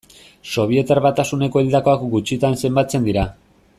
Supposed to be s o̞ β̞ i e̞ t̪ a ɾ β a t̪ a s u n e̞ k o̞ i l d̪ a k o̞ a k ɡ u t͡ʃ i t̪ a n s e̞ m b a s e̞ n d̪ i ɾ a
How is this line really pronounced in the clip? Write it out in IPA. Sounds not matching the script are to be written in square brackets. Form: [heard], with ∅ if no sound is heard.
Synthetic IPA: s o̞ β̞ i e̞ t̪ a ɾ β a t̪ a s u n e̞ k o̞ i l d̪ a k o̞ a k ɡ u t͡ʃ i t̪ a n s e̞ m b a [t͡s] e̞ n d̪ i ɾ a